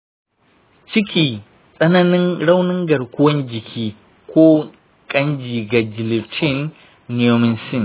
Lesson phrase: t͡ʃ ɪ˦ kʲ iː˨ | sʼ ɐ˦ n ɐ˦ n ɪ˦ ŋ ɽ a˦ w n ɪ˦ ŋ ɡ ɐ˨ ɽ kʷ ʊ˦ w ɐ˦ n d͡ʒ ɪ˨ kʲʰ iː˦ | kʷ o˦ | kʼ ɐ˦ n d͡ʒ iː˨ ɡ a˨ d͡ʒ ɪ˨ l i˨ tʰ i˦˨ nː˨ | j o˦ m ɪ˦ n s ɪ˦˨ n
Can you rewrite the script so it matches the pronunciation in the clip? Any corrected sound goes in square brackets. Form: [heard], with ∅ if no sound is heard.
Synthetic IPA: t͡ʃ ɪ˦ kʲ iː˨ | sʼ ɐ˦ n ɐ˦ n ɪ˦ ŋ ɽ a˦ w n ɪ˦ ŋ ɡ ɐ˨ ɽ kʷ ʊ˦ w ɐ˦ n d͡ʒ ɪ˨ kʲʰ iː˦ | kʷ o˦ | kʼ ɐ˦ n d͡ʒ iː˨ ɡ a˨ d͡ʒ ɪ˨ l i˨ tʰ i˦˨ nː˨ | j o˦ m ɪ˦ n s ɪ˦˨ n